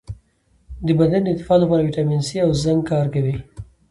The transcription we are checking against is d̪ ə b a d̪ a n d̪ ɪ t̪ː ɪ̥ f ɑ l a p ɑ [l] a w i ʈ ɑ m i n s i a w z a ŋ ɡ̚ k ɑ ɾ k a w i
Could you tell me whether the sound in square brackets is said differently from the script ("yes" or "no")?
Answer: yes